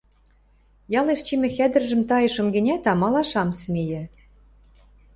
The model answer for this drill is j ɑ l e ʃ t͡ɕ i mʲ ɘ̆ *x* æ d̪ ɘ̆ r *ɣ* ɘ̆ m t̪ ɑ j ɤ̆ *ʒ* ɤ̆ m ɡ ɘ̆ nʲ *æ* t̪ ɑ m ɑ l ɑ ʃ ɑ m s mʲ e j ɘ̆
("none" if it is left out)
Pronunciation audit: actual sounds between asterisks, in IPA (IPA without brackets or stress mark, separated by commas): x, ʒ, ʃ, æ